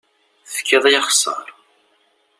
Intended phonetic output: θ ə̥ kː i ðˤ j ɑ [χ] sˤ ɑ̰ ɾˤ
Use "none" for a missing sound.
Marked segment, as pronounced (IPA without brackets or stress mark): χ